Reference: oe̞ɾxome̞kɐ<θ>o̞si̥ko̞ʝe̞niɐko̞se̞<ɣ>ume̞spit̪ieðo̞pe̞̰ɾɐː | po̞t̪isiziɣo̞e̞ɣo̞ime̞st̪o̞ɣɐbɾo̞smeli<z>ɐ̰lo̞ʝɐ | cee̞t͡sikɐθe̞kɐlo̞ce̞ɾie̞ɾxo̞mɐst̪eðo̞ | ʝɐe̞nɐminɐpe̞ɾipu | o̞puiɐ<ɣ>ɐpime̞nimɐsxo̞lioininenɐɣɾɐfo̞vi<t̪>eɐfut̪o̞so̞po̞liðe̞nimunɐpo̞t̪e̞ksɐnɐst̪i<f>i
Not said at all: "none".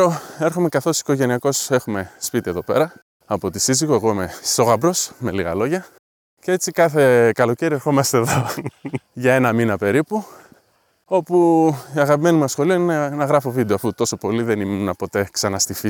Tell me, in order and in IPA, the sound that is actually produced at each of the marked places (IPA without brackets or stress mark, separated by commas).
θ, x, ɣ, ɣ, d̪, f